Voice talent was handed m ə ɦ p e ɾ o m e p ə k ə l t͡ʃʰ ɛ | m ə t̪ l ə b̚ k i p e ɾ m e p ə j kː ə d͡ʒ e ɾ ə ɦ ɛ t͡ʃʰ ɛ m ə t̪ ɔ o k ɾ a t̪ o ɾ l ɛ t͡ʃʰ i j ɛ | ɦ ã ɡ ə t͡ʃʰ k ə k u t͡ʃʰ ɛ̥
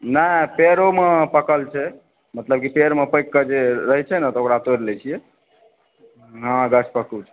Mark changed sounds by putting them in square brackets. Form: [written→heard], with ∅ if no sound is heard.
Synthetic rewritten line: [m→n] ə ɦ p e ɾ o m e p ə k ə l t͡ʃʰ ɛ | m ə t̪ l ə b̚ k i p e ɾ m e p ə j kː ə d͡ʒ e ɾ ə ɦ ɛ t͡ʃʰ ɛ [m→n] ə t̪ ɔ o k ɾ a t̪ o ɾ l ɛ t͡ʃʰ i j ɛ | ɦ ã ɡ ə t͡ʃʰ [k→p] ə k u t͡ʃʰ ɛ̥